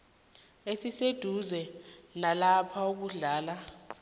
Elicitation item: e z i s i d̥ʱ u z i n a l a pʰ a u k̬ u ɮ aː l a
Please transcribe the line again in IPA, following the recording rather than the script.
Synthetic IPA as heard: e s i s e d̥ʱ u z ɛ n a l a pʰ a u k̬ u ɮ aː l a